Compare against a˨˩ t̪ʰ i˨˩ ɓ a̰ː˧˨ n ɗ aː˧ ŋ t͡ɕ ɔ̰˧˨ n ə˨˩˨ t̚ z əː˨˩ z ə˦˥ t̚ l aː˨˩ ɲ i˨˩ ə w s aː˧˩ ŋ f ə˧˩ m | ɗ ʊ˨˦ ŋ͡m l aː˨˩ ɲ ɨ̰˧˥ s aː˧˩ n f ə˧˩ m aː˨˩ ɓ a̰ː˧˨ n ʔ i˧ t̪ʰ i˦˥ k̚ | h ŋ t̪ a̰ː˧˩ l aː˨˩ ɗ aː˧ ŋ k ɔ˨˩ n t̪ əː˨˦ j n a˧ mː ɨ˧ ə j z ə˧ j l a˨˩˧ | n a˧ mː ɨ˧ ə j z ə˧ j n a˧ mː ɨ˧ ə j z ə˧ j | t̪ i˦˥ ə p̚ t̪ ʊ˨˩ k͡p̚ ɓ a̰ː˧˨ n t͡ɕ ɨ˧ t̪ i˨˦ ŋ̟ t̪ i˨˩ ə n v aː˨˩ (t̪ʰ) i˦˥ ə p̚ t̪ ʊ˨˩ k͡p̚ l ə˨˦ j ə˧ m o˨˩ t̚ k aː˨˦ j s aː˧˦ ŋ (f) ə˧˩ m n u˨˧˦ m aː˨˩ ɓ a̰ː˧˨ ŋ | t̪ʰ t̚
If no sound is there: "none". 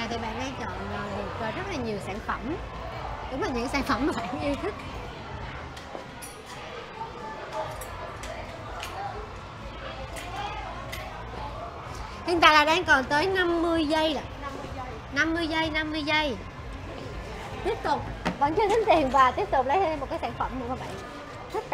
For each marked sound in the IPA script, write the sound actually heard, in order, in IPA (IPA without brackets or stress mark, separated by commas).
t̪, f